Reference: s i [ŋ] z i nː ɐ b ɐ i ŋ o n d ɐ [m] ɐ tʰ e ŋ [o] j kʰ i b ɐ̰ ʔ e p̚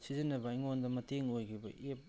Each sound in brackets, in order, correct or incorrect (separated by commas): incorrect, correct, correct